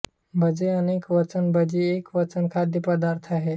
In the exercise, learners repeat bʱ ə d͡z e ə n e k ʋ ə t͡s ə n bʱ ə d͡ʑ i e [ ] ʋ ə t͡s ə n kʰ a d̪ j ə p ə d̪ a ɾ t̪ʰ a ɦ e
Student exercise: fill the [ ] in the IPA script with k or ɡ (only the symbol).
k